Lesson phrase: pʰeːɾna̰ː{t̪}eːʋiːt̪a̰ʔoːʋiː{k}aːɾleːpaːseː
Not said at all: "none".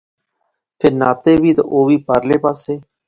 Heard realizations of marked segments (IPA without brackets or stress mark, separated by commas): t̪, p